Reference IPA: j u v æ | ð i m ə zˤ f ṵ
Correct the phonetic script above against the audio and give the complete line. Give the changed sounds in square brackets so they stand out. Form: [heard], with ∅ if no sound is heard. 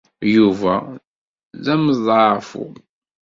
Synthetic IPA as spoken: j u v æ | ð [æ] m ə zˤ f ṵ